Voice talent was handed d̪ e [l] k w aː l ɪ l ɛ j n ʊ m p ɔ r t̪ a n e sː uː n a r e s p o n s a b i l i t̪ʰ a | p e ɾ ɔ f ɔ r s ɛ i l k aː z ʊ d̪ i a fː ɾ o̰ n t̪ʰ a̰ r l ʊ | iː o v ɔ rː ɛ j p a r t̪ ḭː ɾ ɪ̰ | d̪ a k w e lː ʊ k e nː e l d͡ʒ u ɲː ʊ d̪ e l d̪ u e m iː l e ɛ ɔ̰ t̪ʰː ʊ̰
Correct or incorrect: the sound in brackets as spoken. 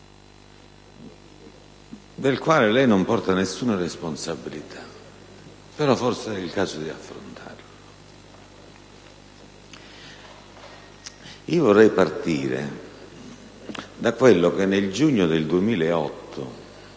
correct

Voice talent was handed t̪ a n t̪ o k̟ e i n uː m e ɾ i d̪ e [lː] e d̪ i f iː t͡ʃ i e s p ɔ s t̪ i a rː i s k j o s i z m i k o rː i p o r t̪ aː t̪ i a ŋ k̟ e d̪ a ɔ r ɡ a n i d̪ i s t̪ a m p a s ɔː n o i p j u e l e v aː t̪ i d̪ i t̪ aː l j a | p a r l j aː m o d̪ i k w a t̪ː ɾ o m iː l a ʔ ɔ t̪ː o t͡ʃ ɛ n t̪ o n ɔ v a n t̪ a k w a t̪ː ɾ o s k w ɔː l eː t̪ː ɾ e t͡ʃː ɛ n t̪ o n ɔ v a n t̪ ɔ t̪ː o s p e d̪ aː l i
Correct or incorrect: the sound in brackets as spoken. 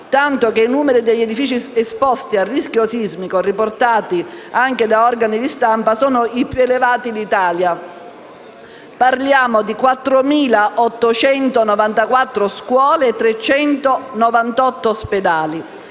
incorrect: ʎː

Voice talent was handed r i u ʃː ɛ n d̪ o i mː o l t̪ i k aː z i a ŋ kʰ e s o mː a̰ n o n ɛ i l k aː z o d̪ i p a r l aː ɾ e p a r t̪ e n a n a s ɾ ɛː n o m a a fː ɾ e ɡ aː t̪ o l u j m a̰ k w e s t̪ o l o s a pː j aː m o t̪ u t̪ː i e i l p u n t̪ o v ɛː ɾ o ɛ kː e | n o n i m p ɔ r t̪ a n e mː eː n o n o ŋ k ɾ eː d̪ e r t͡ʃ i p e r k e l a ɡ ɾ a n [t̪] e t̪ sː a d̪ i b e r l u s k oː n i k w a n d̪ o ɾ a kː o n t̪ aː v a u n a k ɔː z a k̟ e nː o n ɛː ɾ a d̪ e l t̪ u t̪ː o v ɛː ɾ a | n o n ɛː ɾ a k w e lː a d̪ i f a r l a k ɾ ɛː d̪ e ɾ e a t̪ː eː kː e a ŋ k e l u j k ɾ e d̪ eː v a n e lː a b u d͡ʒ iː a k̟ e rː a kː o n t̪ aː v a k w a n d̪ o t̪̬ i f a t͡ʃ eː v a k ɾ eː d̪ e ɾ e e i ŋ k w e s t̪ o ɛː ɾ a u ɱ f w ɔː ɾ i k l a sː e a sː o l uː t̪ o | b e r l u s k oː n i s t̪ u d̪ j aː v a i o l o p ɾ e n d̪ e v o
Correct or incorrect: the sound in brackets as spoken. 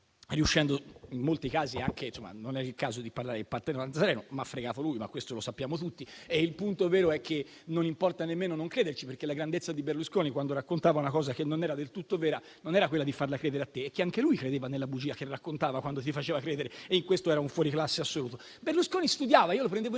incorrect: d̪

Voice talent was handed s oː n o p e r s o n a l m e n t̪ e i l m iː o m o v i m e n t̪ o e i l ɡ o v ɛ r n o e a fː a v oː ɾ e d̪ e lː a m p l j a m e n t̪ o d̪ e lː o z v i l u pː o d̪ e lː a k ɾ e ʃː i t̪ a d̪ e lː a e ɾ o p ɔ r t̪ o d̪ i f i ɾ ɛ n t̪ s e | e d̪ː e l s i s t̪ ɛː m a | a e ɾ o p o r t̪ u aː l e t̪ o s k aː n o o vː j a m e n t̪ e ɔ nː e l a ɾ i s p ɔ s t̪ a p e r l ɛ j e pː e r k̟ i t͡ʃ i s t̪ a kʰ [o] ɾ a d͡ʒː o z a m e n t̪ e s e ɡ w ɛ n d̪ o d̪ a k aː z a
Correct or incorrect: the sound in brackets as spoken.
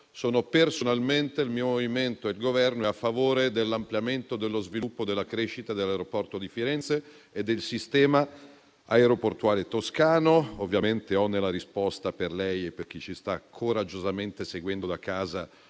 correct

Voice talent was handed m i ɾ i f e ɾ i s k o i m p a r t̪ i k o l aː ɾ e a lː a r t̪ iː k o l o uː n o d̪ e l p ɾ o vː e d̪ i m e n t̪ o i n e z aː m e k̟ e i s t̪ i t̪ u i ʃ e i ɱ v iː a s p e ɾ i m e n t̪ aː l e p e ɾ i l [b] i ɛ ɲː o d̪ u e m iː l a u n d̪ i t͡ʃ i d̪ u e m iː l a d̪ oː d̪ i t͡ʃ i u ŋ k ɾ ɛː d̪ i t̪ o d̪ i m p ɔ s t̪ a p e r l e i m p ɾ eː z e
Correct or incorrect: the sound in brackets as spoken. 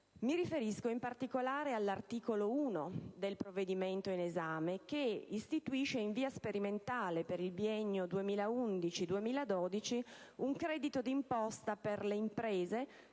correct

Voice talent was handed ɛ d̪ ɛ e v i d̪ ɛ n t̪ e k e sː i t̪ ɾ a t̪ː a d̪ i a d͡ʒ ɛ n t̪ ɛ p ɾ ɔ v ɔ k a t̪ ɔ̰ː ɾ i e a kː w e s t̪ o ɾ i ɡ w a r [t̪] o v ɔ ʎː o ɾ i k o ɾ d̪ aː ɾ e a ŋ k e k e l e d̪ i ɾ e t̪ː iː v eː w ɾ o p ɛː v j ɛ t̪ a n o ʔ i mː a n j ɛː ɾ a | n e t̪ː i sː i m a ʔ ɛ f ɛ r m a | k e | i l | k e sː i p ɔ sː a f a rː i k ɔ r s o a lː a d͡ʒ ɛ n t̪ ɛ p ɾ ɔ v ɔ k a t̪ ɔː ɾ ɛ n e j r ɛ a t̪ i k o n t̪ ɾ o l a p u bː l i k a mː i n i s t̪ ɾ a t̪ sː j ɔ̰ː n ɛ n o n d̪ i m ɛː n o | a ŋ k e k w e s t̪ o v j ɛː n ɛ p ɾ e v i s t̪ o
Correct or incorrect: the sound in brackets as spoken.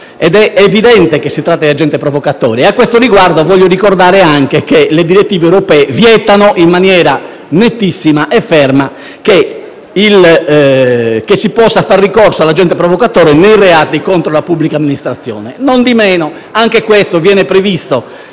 incorrect: d̪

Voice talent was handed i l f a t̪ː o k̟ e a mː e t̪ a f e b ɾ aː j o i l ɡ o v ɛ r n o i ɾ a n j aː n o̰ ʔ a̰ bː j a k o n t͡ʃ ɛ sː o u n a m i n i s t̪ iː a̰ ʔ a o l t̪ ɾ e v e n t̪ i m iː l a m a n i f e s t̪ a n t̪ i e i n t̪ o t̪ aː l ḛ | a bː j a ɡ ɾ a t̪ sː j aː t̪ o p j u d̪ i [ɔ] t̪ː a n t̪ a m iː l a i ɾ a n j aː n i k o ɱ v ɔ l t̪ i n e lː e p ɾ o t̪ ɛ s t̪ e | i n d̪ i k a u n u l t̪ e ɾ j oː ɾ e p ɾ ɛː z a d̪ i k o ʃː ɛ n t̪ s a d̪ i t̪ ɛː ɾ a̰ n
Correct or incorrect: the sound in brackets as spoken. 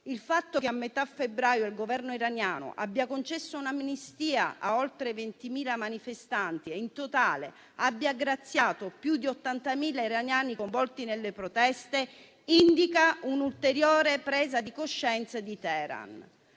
incorrect: o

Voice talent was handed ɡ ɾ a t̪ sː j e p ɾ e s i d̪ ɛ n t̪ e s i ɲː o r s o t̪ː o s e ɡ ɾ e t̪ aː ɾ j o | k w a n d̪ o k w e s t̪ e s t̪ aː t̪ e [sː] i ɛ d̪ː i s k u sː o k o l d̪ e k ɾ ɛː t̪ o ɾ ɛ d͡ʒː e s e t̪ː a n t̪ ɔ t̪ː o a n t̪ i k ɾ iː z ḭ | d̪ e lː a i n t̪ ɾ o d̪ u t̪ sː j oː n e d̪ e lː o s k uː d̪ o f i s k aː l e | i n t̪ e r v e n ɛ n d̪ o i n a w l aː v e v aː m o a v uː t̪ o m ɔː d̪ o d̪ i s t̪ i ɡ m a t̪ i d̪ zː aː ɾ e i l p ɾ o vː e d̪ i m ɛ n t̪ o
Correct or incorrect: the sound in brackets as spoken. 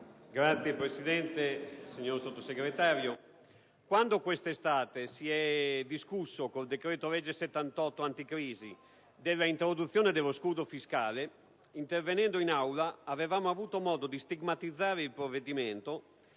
incorrect: s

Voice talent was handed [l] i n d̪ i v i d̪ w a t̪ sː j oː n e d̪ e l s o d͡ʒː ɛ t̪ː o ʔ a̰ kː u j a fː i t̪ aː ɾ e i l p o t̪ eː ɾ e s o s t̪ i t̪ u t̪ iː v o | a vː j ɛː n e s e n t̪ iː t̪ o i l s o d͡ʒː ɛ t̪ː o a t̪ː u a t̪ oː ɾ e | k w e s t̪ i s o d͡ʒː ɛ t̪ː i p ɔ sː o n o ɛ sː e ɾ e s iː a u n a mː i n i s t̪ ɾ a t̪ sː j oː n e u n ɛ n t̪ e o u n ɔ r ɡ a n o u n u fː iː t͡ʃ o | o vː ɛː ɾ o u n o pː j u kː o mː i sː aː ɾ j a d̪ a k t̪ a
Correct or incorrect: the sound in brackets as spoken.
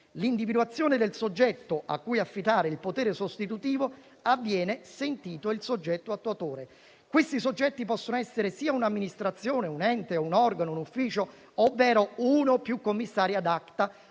correct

